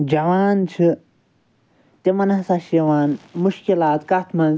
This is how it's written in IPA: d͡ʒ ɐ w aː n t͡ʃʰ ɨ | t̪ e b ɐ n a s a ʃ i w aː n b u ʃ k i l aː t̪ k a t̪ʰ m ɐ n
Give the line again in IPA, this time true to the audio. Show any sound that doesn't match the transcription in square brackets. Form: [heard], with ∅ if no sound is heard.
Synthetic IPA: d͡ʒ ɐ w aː n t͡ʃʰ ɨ | t̪ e [m] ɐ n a s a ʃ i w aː n [m] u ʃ k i l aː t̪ k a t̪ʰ m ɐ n

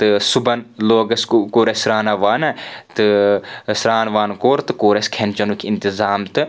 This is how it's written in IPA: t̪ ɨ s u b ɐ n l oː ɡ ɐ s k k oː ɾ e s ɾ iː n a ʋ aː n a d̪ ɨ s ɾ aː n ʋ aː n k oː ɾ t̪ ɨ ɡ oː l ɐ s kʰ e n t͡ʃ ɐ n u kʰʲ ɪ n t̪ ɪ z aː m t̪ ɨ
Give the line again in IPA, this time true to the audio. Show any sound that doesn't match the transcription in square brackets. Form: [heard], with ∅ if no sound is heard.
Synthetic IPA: t̪ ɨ s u b ɐ n l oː ɡ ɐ s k k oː ɾ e s ɾ [aː] n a ʋ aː n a [t̪] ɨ s ɾ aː n ʋ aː n k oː ɾ t̪ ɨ [k] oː [ɾ] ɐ s kʰ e n t͡ʃ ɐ n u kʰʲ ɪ n t̪ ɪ z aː m t̪ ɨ

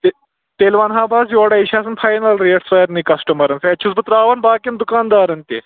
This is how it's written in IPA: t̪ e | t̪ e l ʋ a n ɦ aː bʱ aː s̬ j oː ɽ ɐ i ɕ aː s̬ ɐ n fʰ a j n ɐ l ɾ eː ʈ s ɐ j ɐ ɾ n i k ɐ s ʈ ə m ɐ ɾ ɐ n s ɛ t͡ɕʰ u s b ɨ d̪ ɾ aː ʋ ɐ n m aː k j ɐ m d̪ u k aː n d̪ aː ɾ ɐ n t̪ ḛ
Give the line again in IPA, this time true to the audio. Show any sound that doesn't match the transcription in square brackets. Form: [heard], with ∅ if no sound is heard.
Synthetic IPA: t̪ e | t̪ e l ʋ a n ɦ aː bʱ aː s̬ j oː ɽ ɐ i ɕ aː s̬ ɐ n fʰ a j n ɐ l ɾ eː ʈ s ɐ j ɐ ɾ n i k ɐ s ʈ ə m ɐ ɾ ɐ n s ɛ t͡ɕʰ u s b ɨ [t̪] ɾ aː ʋ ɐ n [b] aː k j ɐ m d̪ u k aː n d̪ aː ɾ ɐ n t̪ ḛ

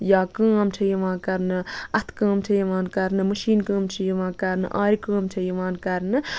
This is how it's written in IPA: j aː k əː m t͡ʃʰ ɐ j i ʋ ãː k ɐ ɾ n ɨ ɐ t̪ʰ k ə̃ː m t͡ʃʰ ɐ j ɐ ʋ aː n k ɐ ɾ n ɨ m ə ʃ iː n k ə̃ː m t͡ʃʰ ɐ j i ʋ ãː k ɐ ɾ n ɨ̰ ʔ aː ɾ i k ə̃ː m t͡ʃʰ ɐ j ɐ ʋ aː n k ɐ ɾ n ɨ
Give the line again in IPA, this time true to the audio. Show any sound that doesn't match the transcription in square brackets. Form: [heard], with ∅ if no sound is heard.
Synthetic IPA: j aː k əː m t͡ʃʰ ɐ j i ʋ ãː k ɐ ɾ n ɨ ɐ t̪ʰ k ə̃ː m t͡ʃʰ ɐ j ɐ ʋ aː n k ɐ ɾ n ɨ m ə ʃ iː n k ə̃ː m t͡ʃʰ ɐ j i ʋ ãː k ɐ ɾ n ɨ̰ ʔ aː ɾ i k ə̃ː m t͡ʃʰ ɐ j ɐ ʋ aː n k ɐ ɾ n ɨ

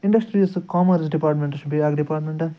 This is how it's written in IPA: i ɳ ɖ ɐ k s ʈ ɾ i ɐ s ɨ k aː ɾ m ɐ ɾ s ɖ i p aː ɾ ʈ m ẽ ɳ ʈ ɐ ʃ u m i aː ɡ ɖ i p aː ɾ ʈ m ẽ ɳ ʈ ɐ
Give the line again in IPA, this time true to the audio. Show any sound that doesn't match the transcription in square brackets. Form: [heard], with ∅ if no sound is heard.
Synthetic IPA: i ɳ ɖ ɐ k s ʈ ɾ i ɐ s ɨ k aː [∅] m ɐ ɾ s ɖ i p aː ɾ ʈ m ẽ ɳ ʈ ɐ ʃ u [b] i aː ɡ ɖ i p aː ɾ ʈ m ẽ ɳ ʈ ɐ

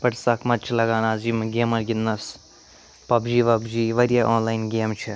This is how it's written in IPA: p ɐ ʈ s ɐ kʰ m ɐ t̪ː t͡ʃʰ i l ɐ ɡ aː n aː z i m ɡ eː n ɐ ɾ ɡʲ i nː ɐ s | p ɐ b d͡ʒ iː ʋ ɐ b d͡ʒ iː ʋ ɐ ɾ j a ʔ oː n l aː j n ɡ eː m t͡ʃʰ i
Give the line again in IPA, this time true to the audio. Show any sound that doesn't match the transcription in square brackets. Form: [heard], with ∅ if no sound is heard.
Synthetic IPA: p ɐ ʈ s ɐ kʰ m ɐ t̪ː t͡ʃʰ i l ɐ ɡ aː n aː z i m ɡ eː [m] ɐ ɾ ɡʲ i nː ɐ s | p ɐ b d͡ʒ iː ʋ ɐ b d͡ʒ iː ʋ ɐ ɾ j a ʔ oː n l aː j n ɡ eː m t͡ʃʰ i

